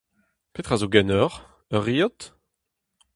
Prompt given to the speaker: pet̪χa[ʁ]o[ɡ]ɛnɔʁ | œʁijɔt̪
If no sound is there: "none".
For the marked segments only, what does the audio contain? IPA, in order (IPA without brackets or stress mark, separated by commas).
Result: z, ɡ